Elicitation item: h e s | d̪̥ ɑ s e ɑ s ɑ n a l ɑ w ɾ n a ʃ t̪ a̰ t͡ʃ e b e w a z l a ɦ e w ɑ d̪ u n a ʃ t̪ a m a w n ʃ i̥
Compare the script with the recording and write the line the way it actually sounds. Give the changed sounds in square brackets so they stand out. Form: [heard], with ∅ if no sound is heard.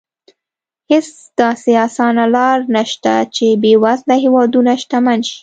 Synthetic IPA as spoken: h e s | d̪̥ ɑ s e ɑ s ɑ n a l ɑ [∅] ɾ n a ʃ t̪ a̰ t͡ʃ e b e w a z l a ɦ e w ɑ d̪ u n a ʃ t̪ a m a [∅] n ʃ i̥